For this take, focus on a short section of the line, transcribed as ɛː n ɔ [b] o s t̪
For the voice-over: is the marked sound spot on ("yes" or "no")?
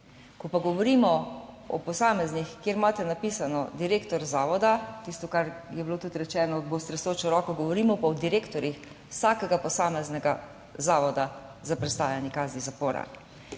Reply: yes